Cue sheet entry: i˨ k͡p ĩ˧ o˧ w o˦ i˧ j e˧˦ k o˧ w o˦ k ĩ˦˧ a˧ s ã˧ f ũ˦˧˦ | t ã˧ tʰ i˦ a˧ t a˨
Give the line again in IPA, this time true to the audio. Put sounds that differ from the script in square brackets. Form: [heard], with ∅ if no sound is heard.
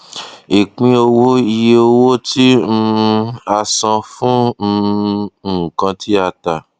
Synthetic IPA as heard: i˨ k͡p ĩ˧ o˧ w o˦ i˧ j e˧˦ [∅] o˧ w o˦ [t] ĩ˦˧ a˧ s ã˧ f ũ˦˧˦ | [k] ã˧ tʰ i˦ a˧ t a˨